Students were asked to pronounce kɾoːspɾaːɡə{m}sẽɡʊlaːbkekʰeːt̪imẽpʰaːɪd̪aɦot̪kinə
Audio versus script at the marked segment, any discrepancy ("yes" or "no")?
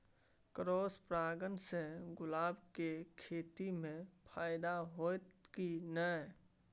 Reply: yes